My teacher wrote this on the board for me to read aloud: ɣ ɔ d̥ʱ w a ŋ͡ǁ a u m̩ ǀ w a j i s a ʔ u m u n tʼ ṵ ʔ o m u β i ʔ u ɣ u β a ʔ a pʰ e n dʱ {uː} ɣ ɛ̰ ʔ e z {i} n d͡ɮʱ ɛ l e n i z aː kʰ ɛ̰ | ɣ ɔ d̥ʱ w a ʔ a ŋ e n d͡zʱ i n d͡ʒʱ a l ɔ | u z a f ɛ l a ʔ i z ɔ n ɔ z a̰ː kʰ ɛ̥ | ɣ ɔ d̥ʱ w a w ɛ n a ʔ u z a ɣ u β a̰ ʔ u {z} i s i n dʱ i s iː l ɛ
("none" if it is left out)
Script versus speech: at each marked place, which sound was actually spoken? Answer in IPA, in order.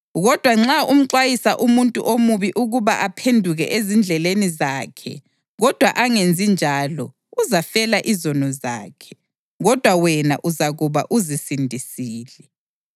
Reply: u, i, z

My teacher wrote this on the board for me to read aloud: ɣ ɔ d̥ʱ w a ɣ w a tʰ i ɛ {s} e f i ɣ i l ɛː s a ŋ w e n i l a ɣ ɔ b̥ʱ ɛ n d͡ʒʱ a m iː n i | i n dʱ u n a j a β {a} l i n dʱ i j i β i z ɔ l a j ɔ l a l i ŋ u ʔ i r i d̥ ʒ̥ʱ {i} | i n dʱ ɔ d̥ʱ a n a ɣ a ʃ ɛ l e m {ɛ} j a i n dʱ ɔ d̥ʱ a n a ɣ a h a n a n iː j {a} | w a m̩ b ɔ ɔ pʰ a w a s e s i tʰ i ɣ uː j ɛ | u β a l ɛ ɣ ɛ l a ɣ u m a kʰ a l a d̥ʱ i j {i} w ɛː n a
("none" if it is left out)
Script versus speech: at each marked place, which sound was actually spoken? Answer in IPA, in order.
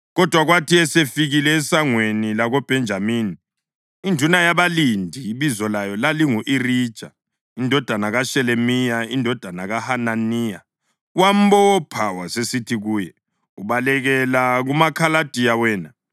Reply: s, a, a, i, a, a

